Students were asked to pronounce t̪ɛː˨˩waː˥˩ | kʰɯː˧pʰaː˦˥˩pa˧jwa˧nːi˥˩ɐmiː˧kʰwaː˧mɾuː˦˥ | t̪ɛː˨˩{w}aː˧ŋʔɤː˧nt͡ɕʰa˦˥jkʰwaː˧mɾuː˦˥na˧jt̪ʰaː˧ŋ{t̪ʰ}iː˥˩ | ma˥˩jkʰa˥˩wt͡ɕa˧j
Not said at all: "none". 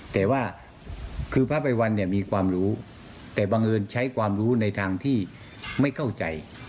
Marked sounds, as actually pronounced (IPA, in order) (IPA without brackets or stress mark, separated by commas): b, t̪ʰ